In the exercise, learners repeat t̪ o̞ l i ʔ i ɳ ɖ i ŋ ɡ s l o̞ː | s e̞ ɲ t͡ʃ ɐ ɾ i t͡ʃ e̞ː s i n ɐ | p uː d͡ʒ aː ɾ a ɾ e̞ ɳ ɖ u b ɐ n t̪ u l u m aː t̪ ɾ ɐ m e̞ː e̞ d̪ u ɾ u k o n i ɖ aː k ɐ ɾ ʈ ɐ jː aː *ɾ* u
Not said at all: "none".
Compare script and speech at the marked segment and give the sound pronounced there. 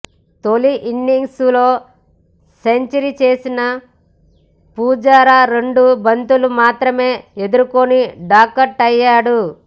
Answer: ɽ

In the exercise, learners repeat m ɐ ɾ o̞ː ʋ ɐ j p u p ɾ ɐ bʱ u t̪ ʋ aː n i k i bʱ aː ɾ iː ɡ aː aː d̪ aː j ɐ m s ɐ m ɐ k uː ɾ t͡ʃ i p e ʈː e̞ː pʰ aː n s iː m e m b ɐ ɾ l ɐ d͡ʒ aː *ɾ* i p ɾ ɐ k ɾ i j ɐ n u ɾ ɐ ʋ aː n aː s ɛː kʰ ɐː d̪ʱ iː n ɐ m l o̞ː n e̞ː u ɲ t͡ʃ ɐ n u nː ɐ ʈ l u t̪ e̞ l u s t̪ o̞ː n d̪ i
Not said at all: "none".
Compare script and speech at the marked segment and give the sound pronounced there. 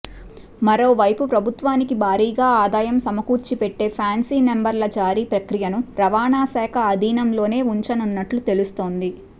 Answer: ɾ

